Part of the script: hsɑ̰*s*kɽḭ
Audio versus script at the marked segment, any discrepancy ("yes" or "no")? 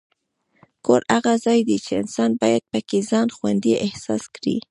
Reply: no